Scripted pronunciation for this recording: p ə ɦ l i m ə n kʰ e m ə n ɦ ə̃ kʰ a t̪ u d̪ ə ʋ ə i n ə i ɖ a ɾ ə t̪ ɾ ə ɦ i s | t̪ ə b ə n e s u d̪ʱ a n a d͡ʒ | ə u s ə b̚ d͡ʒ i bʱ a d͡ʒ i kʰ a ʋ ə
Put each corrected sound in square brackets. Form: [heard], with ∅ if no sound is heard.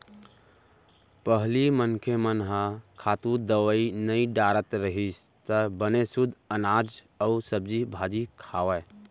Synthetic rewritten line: p ə ɦ l i m ə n kʰ e m ə n ɦ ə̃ kʰ a t̪ u d̪ ə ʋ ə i n ə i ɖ a ɾ ə t̪ ɾ ə ɦ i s | t̪ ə b ə n e s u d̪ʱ [ə] n a d͡ʒ | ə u s ə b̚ d͡ʒ i bʱ a d͡ʒ i kʰ a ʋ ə